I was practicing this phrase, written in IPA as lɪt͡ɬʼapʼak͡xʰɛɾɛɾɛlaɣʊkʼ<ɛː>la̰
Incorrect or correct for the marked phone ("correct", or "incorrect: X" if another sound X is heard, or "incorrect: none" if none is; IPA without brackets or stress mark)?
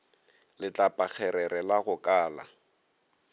incorrect: aː